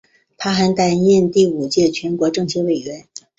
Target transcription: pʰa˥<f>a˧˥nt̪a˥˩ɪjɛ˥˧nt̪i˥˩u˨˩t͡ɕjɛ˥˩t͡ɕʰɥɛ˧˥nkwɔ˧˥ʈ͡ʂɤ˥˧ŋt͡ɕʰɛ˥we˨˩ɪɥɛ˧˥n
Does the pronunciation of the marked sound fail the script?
yes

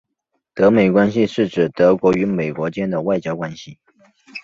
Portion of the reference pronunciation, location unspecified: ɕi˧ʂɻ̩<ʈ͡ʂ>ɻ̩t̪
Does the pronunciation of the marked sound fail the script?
no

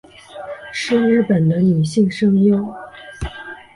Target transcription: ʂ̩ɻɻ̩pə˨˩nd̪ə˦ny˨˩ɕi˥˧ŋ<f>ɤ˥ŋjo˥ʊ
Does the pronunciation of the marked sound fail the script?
yes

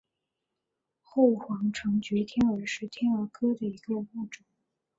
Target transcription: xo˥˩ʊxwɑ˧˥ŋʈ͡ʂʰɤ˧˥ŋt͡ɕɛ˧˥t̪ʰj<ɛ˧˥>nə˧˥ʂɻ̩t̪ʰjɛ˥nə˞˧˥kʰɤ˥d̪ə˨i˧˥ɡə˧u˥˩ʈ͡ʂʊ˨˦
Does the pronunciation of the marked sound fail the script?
yes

